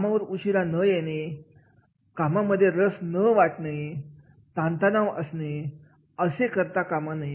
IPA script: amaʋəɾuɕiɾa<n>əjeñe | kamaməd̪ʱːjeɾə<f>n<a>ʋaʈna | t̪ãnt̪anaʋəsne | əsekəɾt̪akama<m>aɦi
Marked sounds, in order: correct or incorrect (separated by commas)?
correct, incorrect, incorrect, incorrect